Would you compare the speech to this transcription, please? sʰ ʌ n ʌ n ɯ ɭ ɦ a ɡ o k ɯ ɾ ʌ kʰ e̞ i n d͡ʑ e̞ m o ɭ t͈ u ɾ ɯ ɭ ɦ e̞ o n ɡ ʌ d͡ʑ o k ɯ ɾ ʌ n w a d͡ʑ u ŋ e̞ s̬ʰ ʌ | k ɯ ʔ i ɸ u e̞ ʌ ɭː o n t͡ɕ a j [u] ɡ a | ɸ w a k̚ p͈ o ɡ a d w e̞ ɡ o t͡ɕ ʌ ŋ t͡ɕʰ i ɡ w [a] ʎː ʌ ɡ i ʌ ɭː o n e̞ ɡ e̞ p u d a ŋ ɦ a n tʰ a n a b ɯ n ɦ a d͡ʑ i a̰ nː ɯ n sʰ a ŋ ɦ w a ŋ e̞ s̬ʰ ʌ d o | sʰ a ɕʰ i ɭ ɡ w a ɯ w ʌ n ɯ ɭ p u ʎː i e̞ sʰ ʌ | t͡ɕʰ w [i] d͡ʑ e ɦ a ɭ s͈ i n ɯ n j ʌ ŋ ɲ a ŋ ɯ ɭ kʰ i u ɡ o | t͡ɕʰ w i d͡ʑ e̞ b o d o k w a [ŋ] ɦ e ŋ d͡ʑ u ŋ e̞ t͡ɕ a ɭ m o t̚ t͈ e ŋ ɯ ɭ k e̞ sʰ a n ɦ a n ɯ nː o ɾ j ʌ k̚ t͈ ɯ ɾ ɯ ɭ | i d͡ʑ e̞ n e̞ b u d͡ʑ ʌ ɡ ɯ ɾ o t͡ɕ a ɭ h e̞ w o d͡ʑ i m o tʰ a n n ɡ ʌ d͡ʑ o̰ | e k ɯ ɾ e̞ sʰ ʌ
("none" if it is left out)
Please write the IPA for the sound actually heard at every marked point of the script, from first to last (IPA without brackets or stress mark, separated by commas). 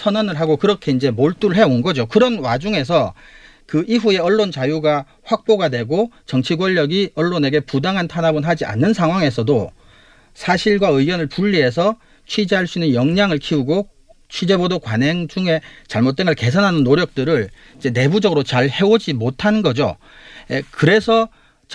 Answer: u, ʌ, i, n